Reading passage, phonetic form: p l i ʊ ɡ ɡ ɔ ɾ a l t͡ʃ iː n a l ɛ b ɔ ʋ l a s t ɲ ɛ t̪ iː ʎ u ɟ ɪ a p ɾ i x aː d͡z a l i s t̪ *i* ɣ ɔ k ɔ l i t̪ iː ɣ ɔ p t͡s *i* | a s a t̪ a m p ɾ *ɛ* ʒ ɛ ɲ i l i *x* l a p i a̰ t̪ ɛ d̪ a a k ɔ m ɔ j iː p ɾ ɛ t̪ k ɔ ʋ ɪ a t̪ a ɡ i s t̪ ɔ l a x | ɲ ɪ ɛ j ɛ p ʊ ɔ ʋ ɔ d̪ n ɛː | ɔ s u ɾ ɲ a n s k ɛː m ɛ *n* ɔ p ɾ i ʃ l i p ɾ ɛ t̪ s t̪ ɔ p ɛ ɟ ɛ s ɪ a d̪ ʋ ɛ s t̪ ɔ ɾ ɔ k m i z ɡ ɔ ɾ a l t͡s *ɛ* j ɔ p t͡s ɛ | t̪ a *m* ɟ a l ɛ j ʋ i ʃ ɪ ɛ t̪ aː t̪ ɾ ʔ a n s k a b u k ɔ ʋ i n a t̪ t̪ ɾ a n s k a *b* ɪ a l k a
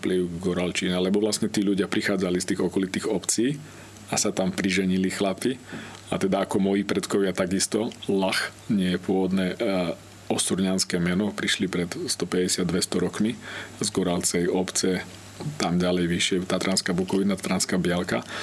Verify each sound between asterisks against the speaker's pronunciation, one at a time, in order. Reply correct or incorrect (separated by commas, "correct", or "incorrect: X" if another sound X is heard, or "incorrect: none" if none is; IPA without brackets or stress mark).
incorrect: iː, incorrect: iː, incorrect: i, correct, correct, correct, correct, correct